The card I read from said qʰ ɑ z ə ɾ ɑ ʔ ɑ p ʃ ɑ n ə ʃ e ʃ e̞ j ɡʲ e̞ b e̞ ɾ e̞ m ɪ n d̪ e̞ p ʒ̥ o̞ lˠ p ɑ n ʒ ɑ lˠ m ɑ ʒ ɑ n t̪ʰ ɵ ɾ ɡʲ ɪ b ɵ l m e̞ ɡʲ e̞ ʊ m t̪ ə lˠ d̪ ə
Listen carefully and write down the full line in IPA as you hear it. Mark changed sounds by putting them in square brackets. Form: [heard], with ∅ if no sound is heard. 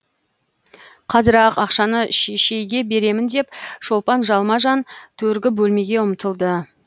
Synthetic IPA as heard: qʰ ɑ z ə ɾ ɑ [q] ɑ [q] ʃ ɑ n ə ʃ e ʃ e̞ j ɡʲ e̞ b e̞ ɾ e̞ m ɪ n d̪ e̞ p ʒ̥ o̞ lˠ p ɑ n ʒ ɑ lˠ m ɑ ʒ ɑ n t̪ʰ ɵ ɾ ɡʲ ɪ b ɵ l m e̞ ɡʲ e̞ ʊ m t̪ ə lˠ d̪ ə